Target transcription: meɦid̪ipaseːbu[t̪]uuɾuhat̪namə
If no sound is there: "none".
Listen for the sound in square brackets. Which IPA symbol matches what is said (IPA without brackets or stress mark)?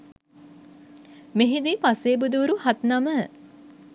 d̪